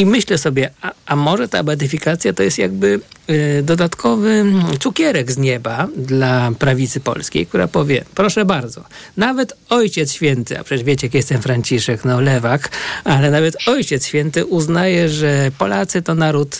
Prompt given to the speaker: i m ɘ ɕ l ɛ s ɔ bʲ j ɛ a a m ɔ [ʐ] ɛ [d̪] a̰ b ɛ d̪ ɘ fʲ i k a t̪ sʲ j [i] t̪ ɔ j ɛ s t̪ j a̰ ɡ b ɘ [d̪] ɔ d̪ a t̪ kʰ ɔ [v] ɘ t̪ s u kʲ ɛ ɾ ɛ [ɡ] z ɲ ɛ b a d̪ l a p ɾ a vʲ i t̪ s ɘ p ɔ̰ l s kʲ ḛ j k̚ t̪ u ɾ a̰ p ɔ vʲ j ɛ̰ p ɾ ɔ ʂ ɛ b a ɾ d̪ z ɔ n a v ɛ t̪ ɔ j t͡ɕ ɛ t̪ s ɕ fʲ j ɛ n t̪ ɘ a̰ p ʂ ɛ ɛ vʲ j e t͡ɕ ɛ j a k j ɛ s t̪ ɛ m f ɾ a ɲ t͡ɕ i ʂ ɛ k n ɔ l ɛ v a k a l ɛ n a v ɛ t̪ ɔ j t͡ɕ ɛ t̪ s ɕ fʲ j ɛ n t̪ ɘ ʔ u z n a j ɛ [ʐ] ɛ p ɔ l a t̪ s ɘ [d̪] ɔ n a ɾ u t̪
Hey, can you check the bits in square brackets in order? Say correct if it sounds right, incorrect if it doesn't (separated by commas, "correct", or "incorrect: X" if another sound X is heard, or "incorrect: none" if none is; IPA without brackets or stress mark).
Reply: correct, incorrect: t̪, incorrect: a, correct, correct, correct, correct, incorrect: t̪